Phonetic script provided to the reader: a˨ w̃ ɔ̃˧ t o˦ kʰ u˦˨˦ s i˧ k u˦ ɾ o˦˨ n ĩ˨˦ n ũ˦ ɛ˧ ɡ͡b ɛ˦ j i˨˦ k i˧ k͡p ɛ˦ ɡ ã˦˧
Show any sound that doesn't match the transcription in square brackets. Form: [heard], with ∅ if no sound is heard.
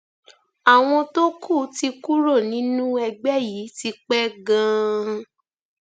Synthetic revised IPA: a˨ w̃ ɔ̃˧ t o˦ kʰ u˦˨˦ [t] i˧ k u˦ ɾ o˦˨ n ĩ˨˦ n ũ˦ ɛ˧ ɡ͡b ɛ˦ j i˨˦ [t] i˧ k͡p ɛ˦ ɡ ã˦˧